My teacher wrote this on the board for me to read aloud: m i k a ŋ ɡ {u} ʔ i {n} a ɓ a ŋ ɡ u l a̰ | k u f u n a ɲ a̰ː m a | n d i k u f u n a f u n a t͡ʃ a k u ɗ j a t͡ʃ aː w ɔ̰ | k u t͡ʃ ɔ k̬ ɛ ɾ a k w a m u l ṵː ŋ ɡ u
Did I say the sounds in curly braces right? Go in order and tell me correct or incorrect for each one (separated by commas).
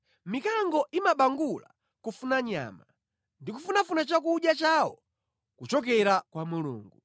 incorrect, incorrect